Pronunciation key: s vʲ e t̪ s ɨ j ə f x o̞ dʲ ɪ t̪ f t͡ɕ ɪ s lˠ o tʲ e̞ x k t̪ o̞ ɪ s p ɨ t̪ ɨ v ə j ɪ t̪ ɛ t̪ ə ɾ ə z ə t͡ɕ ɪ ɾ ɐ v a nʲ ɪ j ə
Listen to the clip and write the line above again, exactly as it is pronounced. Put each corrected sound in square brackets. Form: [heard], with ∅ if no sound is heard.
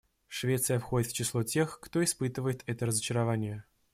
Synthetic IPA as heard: [ʂ] vʲ e t̪ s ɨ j ə f x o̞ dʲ ɪ t̪ f t͡ɕ ɪ s lˠ o tʲ e̞ x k t̪ o̞ ɪ s p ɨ t̪ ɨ v ə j ɪ t̪ ɛ t̪ ə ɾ ə z ə t͡ɕ ɪ ɾ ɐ v a nʲ ɪ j ə